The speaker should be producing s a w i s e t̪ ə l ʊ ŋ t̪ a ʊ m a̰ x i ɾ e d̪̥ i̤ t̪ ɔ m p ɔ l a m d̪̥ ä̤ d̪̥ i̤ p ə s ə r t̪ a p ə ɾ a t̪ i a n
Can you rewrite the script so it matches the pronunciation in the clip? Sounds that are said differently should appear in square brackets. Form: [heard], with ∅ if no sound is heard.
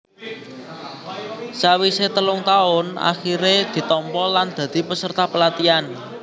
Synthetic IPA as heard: s a w i s e t̪ ə l ʊ ŋ t̪ a ʊ [n] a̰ x i ɾ e d̪̥ i̤ t̪ ɔ m p ɔ l a [n] d̪̥ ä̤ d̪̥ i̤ p ə s ə r t̪ a p ə [l] a t̪ i a n